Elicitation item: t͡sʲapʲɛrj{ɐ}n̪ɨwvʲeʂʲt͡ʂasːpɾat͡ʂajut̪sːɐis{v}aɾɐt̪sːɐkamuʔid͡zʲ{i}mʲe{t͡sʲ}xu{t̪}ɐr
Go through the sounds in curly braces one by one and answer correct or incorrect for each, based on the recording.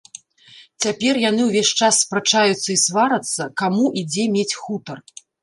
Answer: incorrect, correct, incorrect, correct, correct

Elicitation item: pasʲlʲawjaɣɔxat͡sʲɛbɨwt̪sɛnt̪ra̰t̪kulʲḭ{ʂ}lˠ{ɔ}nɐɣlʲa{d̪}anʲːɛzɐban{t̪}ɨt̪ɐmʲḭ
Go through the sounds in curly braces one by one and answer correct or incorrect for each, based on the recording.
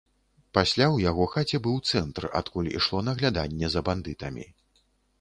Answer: correct, correct, correct, incorrect

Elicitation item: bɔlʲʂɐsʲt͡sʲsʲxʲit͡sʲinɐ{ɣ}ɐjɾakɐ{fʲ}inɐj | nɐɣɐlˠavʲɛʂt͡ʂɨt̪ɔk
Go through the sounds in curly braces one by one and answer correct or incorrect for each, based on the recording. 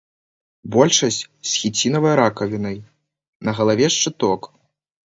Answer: incorrect, incorrect

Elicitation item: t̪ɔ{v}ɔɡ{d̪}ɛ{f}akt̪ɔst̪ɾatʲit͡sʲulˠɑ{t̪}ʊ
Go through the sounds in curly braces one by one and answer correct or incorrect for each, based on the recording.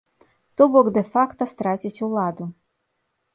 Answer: incorrect, correct, correct, incorrect

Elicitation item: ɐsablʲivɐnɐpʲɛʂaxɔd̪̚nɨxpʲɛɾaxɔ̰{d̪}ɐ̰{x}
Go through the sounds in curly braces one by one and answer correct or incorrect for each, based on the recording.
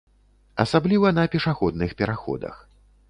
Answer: correct, correct

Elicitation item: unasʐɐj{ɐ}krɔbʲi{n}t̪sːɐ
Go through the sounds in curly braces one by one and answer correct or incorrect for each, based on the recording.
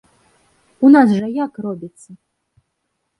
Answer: incorrect, incorrect

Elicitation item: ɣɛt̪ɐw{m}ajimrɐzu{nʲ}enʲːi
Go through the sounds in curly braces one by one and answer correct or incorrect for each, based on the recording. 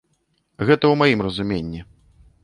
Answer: correct, incorrect

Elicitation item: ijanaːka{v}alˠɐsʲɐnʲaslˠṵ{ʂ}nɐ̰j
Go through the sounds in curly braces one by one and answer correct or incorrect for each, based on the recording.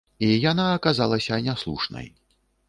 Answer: incorrect, correct

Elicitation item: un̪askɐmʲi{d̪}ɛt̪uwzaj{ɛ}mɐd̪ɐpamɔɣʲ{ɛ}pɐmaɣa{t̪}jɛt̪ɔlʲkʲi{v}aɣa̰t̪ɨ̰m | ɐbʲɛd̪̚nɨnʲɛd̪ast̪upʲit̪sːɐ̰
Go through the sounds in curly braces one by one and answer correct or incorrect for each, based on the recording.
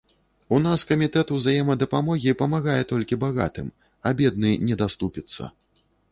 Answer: incorrect, correct, incorrect, incorrect, incorrect

